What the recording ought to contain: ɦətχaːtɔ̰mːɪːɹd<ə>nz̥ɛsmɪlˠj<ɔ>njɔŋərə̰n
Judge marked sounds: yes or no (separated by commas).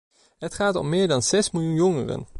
no, no